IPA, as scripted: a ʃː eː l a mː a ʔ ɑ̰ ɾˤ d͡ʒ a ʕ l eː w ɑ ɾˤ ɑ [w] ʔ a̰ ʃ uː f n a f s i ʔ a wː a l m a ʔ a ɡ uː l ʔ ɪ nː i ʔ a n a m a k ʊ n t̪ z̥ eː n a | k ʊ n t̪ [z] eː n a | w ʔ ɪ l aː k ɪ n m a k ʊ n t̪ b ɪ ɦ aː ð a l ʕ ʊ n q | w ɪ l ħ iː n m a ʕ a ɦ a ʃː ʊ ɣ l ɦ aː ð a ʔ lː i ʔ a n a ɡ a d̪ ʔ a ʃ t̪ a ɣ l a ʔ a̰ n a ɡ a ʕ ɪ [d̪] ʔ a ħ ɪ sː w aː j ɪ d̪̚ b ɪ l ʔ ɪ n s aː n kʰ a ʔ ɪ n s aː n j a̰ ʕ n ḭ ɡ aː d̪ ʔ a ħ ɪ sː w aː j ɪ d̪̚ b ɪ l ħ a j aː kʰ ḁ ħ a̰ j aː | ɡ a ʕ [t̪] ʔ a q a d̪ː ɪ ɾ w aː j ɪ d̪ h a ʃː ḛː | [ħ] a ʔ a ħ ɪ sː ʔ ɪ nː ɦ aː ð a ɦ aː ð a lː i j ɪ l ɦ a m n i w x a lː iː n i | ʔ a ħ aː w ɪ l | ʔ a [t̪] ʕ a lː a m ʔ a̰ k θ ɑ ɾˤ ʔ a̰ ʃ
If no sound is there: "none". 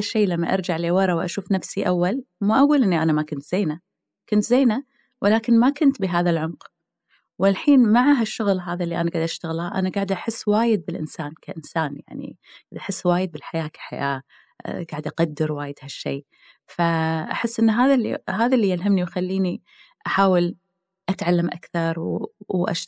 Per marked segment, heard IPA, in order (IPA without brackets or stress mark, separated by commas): w, z, d̪, d̪, f, t̪